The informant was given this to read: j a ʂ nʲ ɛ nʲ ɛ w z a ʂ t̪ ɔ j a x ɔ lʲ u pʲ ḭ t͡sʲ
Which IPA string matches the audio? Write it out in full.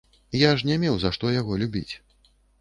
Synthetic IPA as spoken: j a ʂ nʲ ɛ mʲ ɛ w z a ʂ t̪ ɔ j a ɣ ɔ lʲ u bʲ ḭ t͡sʲ